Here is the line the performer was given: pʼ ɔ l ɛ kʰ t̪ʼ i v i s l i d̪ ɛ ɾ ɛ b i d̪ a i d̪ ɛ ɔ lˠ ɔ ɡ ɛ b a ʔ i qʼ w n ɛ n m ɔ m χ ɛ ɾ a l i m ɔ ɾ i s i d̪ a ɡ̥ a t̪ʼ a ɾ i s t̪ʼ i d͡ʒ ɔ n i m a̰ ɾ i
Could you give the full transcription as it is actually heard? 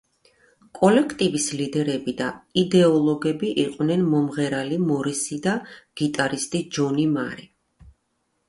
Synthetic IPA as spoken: kʼ ɔ l ɛ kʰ t̪ʼ i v i s l i d̪ ɛ ɾ ɛ b i d̪ a i d̪ ɛ ɔ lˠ ɔ ɡ ɛ b i ʔ i qʼ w n ɛ n m ɔ m ʁ ɛ ɾ a l i m ɔ ɾ i s i d̪ a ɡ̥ i t̪ʼ a ɾ i s t̪ʼ i d͡ʒ ɔ n i m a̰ ɾ i